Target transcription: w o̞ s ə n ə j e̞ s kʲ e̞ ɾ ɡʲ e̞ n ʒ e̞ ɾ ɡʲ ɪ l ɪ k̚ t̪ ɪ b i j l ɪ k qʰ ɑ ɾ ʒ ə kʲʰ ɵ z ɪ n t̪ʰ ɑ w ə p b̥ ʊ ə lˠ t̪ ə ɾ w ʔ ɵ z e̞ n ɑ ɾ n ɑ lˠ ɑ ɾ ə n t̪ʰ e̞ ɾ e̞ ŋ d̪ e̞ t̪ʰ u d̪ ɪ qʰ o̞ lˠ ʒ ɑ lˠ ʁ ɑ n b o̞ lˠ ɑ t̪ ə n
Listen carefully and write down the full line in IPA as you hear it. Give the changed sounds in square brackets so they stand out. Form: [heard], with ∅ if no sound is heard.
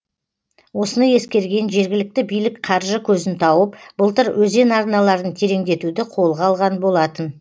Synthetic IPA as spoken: w o̞ s ə n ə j e̞ s kʲ e̞ ɾ ɡʲ e̞ n ʒ e̞ ɾ ɡʲ ɪ l ɪ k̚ t̪ ɪ b i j l ɪ k qʰ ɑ ɾ ʒ ə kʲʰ ɵ z ɪ n t̪ʰ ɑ w ə p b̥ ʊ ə lˠ t̪ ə ɾ w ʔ ɵ z e̞ n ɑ ɾ n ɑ lˠ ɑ ɾ ə n t̪ʰ e̞ ɾ e̞ ŋ d̪ e̞ [t̪] u d̪ ɪ qʰ o̞ lˠ [ʁ] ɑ lˠ ʁ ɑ n b o̞ lˠ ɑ t̪ ə n